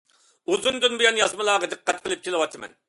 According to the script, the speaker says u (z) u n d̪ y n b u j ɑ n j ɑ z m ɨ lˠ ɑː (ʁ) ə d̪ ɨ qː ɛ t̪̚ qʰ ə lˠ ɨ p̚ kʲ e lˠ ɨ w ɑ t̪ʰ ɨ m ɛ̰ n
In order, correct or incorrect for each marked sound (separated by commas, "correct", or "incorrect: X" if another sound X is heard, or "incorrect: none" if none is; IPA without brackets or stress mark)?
correct, correct